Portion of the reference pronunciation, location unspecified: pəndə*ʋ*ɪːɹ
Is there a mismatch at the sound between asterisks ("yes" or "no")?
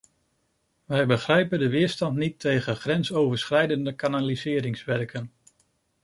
no